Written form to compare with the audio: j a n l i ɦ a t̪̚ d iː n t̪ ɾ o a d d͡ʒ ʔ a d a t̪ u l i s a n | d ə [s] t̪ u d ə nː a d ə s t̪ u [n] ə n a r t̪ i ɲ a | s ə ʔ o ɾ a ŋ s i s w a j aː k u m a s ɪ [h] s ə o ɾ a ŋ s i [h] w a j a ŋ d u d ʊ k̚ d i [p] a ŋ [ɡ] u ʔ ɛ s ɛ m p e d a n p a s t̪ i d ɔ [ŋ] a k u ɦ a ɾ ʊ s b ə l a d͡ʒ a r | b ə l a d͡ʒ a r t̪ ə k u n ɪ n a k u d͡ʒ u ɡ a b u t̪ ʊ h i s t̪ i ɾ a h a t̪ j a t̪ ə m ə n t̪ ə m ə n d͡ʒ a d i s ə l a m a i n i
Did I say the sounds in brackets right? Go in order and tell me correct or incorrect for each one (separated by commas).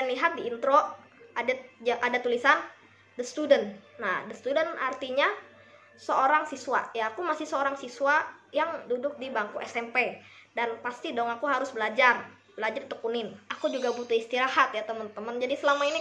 correct, incorrect, correct, incorrect, incorrect, incorrect, correct